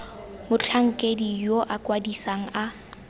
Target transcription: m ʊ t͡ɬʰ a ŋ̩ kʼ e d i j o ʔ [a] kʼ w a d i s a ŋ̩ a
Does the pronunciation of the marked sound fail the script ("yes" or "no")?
no